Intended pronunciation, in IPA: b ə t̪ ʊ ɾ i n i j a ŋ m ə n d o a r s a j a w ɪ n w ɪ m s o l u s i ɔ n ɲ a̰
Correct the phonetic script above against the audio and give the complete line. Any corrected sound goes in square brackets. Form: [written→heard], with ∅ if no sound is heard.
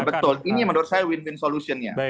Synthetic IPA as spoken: b ə t̪ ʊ [ɾ→l] i n i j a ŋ m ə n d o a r s a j a w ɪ n w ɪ [m→n] s o l u s i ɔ n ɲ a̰